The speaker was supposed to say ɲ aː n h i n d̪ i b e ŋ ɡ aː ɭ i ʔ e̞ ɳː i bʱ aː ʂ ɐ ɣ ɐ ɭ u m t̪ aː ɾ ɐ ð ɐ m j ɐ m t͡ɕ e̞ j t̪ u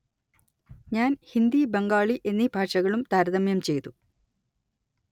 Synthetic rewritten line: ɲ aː n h i n d̪ i b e ŋ ɡ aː ɭ i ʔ e̞ nː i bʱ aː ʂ ɐ ɣ ɐ ɭ u m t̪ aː ɾ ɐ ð ɐ m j ɐ m t͡ɕ e̞ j t̪ u